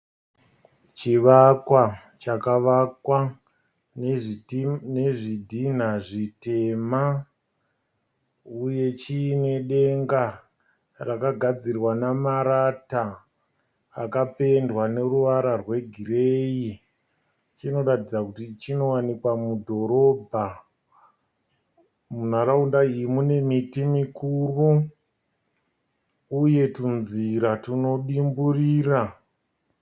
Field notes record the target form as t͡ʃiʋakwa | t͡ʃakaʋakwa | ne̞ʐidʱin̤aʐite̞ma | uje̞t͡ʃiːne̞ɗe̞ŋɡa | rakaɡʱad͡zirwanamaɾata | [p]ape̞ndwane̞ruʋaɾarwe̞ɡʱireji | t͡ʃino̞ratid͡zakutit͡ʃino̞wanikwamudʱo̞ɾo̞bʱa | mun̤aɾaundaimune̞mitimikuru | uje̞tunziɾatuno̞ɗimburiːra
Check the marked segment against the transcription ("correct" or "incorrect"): incorrect